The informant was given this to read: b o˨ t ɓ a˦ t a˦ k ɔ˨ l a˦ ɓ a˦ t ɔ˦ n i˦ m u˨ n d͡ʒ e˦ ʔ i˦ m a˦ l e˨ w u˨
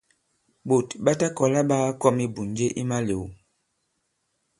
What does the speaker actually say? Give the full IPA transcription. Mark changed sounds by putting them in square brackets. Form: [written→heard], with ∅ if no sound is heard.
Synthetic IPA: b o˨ t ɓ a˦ t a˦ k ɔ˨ l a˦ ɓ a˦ [t→k] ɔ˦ [n→m] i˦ [m→b] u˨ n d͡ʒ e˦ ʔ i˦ m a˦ l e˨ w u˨